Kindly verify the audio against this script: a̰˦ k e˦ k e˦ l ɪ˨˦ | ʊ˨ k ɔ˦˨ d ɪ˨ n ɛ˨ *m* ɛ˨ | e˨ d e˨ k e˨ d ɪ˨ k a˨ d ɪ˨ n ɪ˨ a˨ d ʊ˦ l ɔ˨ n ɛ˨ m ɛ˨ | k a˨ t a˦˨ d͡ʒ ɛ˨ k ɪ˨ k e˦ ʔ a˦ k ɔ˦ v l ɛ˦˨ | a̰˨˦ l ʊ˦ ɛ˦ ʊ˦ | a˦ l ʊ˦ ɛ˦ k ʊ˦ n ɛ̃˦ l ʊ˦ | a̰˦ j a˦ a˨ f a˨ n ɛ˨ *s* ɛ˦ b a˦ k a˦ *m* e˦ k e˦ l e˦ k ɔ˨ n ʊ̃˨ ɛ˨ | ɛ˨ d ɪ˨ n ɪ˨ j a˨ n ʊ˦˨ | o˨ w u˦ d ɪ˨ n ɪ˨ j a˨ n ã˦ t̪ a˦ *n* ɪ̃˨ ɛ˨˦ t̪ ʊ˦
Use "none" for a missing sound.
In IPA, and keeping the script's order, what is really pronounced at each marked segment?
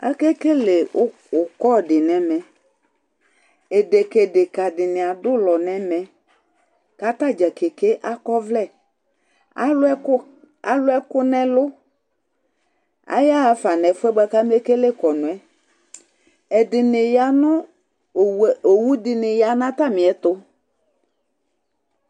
m, f, m, m

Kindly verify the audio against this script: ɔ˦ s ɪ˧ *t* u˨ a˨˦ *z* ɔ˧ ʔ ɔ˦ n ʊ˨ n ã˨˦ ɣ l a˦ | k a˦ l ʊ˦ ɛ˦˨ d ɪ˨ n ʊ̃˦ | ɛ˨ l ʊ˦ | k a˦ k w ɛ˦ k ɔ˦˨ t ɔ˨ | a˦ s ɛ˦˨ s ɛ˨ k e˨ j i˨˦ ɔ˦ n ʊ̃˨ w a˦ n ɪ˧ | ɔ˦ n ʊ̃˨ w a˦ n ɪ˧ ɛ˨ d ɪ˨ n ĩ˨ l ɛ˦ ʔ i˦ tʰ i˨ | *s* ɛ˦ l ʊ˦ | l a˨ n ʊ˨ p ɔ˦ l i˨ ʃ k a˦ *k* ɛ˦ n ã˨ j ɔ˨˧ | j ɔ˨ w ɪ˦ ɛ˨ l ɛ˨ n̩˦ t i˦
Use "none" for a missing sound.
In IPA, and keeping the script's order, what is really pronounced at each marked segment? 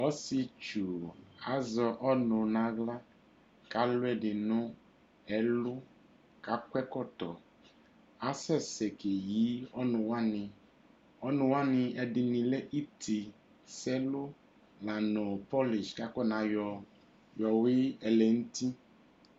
t͡ʃ, z, s, k

